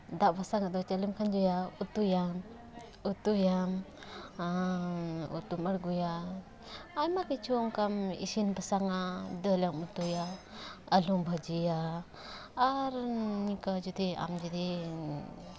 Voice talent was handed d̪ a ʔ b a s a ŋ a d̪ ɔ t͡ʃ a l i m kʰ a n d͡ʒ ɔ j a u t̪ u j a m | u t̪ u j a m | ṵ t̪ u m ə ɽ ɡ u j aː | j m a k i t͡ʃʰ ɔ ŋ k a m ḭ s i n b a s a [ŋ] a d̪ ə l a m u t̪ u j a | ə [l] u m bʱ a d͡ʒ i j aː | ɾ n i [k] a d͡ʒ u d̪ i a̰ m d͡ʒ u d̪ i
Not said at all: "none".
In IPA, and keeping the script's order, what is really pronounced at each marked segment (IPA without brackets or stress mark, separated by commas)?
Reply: ŋ, l, k